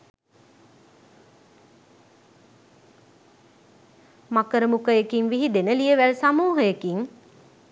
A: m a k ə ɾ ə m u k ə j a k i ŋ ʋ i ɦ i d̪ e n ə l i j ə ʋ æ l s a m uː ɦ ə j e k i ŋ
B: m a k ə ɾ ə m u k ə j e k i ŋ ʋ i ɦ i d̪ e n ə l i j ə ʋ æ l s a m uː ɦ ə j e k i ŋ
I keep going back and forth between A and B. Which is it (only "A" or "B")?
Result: B